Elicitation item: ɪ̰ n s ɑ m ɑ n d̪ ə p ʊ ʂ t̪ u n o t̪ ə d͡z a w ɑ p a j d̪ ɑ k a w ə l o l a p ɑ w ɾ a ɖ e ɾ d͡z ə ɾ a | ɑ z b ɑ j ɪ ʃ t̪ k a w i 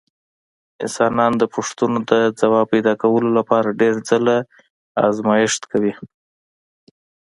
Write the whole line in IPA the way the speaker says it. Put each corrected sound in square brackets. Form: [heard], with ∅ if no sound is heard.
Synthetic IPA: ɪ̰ n s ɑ [n] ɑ n d̪ ə p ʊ ʂ t̪ u n o [d̪] ə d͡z a w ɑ p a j d̪ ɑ k a w ə l o l a p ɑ [∅] ɾ a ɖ e ɾ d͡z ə [l] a | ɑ z [m] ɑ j ɪ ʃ t̪ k a w i

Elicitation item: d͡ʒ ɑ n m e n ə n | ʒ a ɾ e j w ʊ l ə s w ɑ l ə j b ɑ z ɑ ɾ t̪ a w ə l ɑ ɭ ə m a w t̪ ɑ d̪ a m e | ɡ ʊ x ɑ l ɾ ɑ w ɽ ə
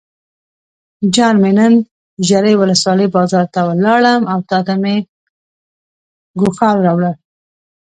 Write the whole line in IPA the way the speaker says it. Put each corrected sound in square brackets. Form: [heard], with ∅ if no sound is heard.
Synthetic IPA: d͡ʒ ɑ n m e n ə n | ʒ a ɾ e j w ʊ l ə s w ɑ l ə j b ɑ z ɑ ɾ t̪ a w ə l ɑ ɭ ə m a w t̪ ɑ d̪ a m e | ɡ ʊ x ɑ l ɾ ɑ w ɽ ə

